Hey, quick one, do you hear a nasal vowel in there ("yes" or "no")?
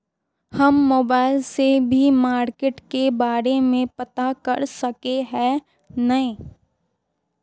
yes